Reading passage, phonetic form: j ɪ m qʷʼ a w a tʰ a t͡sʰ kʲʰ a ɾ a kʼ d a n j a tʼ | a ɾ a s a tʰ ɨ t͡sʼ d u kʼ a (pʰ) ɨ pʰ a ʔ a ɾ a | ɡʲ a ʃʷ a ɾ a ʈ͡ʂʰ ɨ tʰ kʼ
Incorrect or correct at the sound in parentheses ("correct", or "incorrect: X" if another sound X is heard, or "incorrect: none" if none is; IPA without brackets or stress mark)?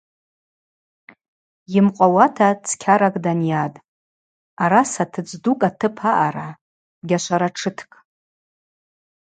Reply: incorrect: tʰ